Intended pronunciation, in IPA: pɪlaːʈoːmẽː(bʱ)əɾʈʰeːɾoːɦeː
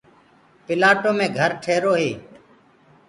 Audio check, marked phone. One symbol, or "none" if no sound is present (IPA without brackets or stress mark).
ɡʱ